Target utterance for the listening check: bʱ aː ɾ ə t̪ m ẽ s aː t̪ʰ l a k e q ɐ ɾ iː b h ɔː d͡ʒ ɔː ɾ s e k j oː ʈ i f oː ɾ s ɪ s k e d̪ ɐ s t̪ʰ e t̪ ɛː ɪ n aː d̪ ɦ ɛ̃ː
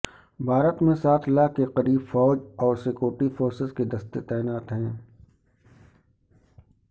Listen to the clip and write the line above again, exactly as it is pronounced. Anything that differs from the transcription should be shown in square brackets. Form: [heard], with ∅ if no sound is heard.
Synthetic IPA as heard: bʱ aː ɾ ə t̪ m ẽ s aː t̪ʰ l a k e q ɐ ɾ iː b [f] ɔː d͡ʒ ɔː ɾ s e k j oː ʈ i f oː ɾ s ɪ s k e d̪ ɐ s [t̪] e t̪ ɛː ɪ n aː [t̪] ɦ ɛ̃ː